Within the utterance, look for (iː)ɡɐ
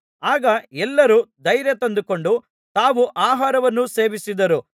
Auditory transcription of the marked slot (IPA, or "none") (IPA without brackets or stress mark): aː